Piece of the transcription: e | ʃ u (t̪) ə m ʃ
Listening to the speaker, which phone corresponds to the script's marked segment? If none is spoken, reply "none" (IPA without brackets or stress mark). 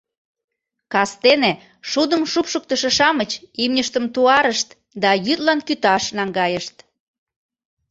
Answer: d̪